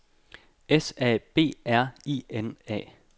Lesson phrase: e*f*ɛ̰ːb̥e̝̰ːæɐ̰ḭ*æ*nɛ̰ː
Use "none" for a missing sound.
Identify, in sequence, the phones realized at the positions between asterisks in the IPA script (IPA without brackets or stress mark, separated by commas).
s, e